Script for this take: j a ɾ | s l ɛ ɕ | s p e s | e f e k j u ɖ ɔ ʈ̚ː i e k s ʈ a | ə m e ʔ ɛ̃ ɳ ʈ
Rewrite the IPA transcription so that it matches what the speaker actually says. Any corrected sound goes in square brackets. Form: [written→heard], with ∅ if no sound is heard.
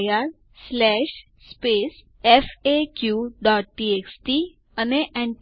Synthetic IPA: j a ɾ | s l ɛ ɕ | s p e s | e f e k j u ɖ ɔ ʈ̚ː i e k s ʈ [a→i] | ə [m→n] e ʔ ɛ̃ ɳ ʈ